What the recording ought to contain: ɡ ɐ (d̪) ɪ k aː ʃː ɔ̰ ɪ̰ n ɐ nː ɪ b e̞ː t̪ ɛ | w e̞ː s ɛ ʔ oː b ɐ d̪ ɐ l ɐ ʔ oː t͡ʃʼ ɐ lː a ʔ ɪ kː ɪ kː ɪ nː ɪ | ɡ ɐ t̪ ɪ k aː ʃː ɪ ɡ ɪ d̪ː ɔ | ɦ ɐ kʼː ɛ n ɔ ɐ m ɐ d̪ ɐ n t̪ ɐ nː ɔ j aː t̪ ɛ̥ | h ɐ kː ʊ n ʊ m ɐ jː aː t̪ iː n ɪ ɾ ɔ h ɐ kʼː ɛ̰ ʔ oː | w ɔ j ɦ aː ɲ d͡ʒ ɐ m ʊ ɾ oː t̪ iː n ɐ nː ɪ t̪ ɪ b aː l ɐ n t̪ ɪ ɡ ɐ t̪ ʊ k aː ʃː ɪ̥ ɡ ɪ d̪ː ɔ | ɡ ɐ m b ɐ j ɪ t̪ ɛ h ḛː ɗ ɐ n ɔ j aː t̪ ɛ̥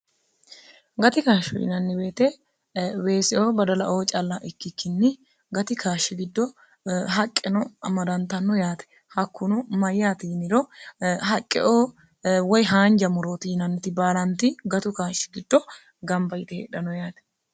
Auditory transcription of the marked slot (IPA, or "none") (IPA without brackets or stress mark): t̪